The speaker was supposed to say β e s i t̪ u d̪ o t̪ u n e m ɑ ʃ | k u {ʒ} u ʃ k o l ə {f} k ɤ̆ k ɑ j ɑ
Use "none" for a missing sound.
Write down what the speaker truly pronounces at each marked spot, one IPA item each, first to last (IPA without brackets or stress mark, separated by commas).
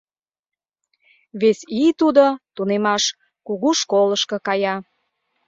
ɣ, ʃ